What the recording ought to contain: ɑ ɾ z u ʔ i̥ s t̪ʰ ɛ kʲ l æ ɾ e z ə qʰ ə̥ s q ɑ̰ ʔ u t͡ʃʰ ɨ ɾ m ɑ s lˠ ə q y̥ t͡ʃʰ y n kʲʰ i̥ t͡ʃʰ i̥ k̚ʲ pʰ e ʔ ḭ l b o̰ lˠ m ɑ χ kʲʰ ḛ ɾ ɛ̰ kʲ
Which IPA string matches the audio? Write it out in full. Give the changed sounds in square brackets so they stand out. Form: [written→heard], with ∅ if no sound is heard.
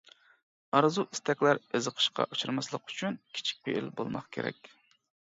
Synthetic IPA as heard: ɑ ɾ z u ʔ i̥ s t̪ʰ ɛ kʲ l æ ɾ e z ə qʰ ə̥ [s→ʃ] q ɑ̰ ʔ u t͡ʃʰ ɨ ɾ m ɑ s lˠ ə q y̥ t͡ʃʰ y n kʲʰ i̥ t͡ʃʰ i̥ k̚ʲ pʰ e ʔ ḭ l b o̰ lˠ m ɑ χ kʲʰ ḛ ɾ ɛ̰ kʲ